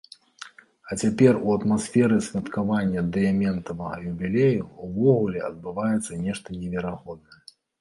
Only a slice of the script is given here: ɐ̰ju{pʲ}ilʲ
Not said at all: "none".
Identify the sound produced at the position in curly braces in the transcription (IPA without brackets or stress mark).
bʲ